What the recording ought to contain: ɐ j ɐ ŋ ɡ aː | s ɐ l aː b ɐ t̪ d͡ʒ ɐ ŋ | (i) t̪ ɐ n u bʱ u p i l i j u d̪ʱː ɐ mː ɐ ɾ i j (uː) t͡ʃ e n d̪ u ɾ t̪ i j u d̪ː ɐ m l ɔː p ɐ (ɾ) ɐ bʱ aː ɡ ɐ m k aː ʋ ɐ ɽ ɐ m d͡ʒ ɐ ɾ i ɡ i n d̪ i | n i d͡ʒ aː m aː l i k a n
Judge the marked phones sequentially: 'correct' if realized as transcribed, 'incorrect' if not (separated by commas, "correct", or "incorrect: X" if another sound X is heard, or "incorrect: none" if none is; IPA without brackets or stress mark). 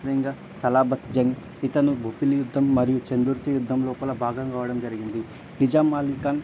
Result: correct, incorrect: u, incorrect: l